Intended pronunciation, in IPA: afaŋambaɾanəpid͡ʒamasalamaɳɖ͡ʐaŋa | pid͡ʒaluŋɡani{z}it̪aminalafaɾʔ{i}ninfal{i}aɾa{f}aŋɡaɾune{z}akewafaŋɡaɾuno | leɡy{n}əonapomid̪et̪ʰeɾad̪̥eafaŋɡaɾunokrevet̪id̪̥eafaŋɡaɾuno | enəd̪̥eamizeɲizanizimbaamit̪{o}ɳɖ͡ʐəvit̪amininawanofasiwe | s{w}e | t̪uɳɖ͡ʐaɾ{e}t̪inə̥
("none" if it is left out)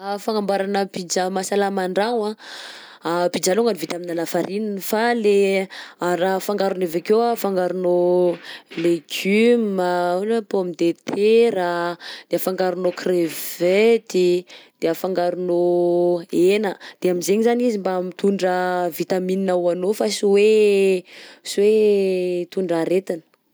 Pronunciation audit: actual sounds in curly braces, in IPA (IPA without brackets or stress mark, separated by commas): v, i, e, f, v, m, u, w, e